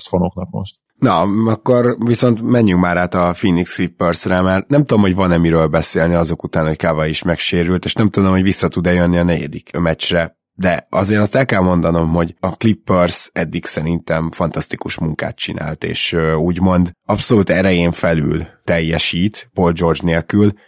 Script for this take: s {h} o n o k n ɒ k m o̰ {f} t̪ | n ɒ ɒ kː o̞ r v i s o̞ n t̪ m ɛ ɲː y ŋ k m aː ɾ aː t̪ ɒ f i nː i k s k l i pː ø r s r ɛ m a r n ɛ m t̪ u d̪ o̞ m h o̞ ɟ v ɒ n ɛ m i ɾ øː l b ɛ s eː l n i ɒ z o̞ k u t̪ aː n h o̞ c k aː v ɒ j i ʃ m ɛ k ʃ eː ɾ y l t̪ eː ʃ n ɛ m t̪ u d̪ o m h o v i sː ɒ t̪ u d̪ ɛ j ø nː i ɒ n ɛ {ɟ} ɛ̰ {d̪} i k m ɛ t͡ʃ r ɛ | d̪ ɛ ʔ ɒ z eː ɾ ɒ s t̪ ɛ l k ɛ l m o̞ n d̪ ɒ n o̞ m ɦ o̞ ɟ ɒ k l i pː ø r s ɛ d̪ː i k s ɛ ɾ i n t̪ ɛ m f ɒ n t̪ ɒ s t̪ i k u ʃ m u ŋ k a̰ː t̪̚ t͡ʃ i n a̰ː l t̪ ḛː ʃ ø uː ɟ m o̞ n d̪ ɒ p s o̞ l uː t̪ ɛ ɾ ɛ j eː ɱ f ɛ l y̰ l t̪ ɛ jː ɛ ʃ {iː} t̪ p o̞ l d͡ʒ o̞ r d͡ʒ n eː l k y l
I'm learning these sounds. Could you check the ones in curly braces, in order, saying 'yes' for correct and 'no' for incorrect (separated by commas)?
no, no, yes, yes, yes